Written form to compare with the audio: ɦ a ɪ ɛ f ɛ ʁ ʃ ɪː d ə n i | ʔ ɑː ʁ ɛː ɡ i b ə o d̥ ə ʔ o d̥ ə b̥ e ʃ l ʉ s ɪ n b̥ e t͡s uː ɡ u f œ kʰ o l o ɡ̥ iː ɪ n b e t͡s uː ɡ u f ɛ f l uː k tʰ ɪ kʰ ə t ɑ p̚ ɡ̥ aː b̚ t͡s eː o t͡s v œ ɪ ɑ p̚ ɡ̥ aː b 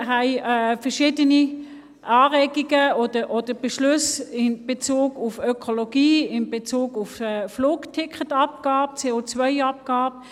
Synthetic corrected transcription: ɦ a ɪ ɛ f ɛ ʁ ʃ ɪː d ə n i | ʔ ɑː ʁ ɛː ɡ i ɡ ə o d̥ ə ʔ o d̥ ə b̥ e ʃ l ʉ s ɪ n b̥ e t͡s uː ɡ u f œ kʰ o l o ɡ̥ iː ɪ n b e t͡s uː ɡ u f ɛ f l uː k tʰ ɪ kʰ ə t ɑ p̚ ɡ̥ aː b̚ t͡s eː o t͡s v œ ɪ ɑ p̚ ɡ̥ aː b